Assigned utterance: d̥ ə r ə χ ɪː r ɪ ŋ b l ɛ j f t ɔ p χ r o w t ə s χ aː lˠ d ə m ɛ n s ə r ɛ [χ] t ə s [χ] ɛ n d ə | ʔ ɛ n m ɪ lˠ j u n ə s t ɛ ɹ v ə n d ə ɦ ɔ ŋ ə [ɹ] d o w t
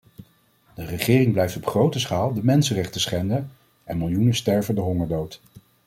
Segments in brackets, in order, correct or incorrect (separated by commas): correct, correct, correct